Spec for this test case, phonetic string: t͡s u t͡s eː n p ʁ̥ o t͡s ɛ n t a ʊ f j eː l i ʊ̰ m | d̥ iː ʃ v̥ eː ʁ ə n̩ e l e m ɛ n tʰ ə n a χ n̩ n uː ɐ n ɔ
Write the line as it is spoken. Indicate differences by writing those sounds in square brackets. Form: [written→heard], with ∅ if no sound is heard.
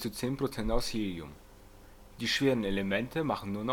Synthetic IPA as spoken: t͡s u t͡s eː n p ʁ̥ o t͡s ɛ n t a ʊ [f→s] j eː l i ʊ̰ m | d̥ iː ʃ v̥ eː ʁ ə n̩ e l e m ɛ n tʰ ə [n→m] a χ n̩ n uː ɐ n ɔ